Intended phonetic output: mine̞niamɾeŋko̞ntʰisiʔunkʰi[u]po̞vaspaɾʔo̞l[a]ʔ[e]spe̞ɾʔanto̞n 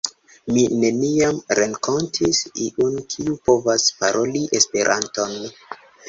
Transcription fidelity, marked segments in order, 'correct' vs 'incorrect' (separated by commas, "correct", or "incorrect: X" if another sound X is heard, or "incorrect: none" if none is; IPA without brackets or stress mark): correct, incorrect: i, correct